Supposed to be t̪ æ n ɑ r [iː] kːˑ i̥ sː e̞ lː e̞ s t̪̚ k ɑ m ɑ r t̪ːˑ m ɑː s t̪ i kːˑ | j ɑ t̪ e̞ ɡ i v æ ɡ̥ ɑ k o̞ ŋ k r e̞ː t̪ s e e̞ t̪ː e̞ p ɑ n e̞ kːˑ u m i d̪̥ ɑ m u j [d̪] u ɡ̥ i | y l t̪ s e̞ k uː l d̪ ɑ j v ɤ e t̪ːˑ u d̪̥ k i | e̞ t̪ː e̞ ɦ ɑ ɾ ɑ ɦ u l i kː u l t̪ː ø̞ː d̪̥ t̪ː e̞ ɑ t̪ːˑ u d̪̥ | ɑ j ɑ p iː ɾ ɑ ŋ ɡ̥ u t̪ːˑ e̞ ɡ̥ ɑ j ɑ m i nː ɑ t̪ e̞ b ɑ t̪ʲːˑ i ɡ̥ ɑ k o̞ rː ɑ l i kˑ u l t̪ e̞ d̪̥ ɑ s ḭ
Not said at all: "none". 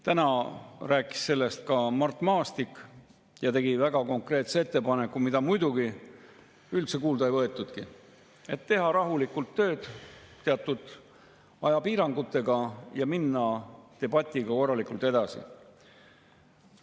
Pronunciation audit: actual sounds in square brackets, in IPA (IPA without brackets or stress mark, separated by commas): æː, d̪